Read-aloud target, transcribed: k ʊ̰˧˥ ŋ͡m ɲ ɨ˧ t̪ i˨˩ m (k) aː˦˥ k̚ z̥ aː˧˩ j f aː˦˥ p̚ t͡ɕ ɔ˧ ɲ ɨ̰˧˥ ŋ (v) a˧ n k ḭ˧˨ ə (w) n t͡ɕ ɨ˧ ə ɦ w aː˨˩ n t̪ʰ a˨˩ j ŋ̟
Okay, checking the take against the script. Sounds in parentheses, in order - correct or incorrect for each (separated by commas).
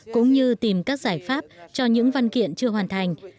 correct, correct, incorrect